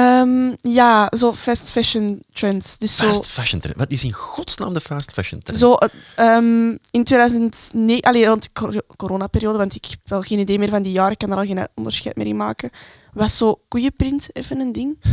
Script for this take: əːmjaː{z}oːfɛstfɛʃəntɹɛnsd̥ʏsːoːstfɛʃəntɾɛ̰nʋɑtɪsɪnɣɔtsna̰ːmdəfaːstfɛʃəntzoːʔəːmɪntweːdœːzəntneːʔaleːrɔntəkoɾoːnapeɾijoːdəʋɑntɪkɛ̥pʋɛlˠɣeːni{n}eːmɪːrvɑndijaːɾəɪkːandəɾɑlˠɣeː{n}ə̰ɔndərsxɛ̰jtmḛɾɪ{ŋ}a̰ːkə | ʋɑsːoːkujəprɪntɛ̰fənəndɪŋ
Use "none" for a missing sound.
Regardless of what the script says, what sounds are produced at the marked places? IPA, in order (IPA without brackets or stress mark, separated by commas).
z, d, n, m